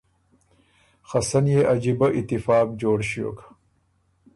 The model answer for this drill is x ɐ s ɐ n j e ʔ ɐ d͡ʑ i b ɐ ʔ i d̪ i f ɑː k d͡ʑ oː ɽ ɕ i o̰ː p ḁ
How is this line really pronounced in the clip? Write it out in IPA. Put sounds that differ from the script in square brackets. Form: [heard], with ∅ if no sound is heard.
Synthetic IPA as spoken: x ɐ s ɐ n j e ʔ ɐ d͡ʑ i b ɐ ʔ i [t̪] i f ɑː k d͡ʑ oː ɽ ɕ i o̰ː [k] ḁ